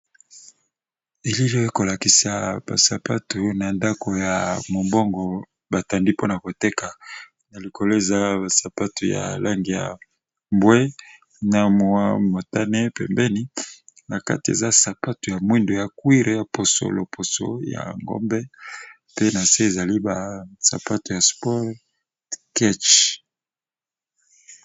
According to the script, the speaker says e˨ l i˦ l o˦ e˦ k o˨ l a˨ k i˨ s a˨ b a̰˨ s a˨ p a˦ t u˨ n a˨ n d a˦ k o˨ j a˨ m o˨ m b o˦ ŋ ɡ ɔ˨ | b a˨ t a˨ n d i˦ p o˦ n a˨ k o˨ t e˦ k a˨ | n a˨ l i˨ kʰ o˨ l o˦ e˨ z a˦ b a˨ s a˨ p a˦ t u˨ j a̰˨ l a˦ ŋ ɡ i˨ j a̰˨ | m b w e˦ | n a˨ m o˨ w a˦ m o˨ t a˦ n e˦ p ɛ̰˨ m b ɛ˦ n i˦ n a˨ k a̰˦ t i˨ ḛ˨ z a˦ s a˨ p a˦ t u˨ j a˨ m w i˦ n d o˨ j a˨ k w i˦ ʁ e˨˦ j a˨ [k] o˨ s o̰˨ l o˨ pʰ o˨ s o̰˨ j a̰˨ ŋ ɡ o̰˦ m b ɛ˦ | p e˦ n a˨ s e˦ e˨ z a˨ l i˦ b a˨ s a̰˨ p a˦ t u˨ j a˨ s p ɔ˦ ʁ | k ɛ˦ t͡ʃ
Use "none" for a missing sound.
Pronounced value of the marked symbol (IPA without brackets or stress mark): p